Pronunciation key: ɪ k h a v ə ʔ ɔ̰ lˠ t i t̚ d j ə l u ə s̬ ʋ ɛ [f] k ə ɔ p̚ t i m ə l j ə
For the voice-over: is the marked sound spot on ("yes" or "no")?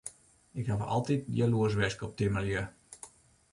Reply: no